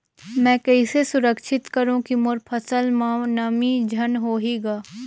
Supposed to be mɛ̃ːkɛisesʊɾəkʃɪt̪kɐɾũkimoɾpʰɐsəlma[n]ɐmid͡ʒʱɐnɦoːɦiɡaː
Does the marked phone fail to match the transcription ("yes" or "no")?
no